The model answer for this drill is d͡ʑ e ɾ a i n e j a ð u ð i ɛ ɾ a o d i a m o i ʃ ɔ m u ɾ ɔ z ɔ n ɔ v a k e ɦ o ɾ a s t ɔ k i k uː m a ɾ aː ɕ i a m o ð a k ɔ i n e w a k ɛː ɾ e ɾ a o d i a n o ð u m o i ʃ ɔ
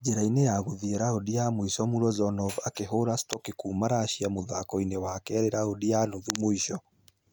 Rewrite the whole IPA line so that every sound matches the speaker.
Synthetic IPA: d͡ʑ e ɾ a i n e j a ɣ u ð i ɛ ɾ a o d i a m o i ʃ ɔ m u ɾ ɔ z ɔ n ɔ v a k e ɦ o ɾ a s t ɔ k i k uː m a ɾ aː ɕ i a m o ð a k ɔ i n e w a k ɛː ɾ e ɾ a o d i a n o ð u m o i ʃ ɔ